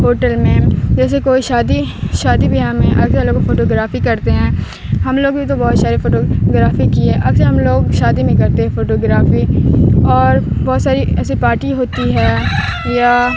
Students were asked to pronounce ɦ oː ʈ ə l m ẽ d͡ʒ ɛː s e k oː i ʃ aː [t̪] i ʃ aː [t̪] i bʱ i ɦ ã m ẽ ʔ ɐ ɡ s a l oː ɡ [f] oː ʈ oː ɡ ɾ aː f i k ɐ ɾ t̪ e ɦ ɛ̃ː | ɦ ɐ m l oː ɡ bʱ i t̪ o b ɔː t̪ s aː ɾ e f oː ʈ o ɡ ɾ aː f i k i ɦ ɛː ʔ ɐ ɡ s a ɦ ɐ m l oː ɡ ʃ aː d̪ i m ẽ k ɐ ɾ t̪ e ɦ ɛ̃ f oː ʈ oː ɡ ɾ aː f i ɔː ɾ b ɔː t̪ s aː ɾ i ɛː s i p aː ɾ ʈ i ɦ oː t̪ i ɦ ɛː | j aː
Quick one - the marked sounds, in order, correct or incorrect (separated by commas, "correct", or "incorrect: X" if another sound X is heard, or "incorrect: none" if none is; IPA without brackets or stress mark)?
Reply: incorrect: d̪, incorrect: d̪, correct